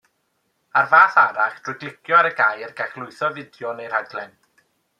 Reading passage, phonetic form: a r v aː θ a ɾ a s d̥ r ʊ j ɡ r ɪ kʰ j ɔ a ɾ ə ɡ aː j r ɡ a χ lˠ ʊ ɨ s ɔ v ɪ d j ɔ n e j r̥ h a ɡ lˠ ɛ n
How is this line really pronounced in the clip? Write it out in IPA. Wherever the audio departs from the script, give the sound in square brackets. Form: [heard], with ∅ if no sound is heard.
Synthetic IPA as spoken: a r v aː θ a ɾ a [χ] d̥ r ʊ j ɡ [l] ɪ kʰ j ɔ a ɾ ə ɡ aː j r ɡ a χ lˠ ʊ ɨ [θ] ɔ v ɪ d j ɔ n e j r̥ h a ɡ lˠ ɛ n